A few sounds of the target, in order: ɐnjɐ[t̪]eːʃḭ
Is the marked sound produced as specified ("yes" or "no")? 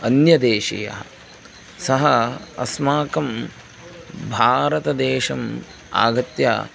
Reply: no